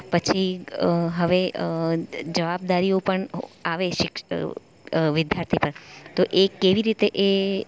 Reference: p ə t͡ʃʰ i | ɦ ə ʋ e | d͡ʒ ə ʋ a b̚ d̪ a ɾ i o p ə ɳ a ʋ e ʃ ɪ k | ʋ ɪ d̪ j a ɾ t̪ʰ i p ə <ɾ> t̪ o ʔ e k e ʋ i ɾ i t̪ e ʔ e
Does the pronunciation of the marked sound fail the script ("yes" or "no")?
no